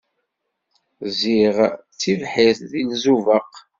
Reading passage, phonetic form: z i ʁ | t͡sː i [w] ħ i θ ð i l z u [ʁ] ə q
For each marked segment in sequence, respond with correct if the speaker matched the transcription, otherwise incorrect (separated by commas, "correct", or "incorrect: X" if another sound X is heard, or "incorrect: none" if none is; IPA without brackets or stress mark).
incorrect: v, incorrect: v